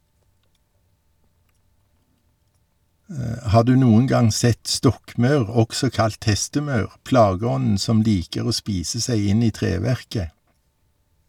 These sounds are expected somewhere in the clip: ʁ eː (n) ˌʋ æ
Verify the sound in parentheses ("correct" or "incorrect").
incorrect